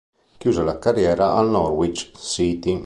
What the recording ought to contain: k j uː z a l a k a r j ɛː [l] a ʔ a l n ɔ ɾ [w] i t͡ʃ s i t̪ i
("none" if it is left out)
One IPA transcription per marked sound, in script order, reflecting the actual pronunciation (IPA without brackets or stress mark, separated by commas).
ɾ, w